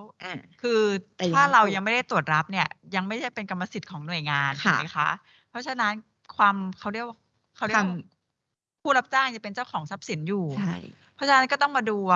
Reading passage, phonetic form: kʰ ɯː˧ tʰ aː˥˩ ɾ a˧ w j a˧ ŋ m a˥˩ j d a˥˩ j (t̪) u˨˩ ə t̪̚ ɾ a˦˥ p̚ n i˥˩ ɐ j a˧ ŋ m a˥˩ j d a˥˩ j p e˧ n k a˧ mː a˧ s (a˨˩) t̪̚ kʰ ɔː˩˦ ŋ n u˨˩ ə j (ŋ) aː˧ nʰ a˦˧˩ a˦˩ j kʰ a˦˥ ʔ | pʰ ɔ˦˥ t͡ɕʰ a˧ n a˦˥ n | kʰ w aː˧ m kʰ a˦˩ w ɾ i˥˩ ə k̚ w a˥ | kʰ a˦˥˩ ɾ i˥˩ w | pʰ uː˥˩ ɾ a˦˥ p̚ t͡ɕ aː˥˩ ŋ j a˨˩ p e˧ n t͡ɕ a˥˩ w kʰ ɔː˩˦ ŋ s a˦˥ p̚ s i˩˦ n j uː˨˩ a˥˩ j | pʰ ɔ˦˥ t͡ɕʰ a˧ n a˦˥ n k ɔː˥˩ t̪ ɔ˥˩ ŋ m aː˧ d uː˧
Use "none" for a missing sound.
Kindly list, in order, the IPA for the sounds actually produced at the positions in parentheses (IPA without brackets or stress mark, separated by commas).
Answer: t̪, i˨˩, ŋ